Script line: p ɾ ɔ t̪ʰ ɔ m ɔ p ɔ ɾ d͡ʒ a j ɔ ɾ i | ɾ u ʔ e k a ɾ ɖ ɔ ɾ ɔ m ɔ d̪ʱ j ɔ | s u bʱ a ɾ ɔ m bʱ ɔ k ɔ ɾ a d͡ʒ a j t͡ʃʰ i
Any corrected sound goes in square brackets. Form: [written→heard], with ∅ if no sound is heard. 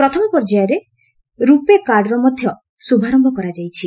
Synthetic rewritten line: p ɾ ɔ t̪ʰ ɔ m ɔ p ɔ ɾ d͡ʒ a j ɔ ɾ [i→e] | ɾ u [ʔ→p] e k a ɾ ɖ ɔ ɾ ɔ m ɔ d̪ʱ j ɔ | s u bʱ a ɾ ɔ m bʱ ɔ k ɔ ɾ a d͡ʒ a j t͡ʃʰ i